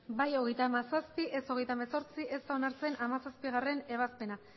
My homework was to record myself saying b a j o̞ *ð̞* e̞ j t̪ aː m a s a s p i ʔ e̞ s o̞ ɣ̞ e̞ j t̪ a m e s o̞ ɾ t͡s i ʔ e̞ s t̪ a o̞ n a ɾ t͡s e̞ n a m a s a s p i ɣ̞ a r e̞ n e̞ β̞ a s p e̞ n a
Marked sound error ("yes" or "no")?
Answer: yes